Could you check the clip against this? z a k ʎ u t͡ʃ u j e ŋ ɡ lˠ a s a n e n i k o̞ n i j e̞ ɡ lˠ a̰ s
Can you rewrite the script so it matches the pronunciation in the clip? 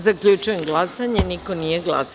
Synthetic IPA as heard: z a k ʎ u t͡ʃ u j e m ɡ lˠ a s a ɲ e n i k o̞ n i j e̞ ɡ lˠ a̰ s